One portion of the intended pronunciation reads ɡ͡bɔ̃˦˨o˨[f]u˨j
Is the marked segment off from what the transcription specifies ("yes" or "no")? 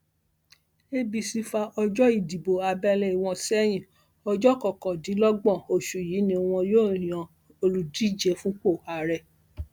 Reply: yes